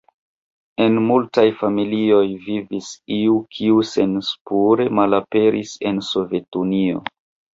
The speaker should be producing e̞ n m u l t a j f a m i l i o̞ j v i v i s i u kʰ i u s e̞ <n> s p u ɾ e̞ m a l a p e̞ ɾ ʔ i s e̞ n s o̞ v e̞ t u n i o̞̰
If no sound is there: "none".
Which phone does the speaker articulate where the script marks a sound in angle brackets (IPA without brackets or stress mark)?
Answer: n